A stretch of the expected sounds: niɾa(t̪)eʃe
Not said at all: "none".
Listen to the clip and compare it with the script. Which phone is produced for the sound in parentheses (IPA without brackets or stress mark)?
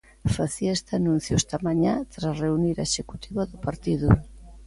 none